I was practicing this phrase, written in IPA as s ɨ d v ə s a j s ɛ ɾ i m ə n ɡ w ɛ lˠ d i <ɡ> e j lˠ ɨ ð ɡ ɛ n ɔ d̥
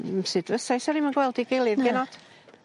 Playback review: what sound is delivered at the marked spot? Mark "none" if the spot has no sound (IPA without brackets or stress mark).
ɡ